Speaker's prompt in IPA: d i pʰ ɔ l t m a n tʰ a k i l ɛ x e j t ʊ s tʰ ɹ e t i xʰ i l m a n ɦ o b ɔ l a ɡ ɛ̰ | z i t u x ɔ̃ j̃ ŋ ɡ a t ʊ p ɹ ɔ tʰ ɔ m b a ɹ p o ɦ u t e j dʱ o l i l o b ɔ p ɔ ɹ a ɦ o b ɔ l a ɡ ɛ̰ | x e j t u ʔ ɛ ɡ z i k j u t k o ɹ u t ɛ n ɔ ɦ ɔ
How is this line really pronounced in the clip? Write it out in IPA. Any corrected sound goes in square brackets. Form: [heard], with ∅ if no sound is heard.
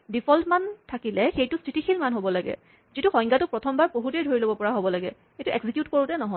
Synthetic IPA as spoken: d i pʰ ɔ l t m a n tʰ a k i l ɛ x e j t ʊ s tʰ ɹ [i] t i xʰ i l m a n ɦ o b ɔ l a ɡ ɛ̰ | z i t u x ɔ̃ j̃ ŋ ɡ a t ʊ p ɹ ɔ tʰ ɔ m b a ɹ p o ɦ u t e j dʱ o [ɹ] i l o b ɔ p ɔ ɹ a ɦ o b ɔ l a ɡ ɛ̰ | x e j t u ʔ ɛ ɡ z i k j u t k o ɹ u t ɛ n ɔ ɦ ɔ